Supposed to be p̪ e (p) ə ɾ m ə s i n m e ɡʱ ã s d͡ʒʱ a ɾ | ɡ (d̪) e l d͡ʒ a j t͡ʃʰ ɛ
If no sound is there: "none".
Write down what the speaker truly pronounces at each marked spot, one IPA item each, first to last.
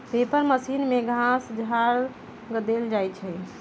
p, d̪

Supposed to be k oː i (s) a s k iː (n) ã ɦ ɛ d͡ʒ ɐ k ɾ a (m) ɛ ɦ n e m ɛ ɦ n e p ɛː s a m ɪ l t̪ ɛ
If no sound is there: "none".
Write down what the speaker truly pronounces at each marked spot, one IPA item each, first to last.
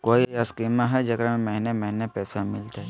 none, m, m

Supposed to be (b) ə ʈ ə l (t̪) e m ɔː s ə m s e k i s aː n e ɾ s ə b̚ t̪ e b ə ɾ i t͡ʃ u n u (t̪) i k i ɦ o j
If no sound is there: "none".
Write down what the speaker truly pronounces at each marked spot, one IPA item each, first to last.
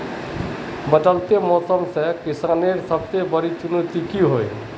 b, t̪, t̪

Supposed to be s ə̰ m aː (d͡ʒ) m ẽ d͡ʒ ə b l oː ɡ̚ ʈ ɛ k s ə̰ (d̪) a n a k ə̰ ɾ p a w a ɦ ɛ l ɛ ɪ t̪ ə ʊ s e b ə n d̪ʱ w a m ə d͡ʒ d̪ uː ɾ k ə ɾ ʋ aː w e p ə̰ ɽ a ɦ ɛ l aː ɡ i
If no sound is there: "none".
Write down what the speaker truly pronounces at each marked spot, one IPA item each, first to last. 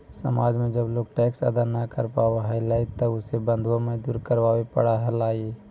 d͡ʒ, d̪

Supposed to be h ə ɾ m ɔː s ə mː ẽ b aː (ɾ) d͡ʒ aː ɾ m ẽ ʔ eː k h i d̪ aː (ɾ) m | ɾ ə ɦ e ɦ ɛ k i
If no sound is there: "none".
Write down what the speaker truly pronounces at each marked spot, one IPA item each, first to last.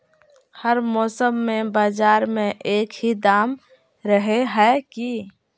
none, none

